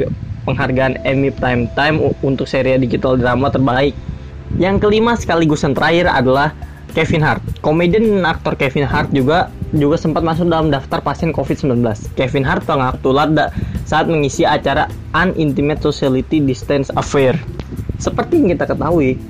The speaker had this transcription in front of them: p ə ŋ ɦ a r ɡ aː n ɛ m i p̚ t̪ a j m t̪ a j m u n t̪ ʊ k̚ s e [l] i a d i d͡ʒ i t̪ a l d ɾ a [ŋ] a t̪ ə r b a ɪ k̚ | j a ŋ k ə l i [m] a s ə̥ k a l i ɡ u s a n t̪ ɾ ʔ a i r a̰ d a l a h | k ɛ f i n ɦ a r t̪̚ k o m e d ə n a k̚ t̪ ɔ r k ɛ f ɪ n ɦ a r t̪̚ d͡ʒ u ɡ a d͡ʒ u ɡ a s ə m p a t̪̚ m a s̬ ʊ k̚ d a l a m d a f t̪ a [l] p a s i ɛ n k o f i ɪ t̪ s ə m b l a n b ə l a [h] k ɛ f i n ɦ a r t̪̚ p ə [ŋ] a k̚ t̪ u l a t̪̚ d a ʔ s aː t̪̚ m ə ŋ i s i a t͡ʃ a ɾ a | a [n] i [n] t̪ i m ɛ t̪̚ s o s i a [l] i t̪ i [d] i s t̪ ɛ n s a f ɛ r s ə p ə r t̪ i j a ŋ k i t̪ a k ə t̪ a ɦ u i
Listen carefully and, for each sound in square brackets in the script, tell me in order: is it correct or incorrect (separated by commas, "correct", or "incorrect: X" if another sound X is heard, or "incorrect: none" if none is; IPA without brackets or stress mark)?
incorrect: ɾ, incorrect: m, correct, incorrect: r, incorrect: s, correct, correct, correct, correct, correct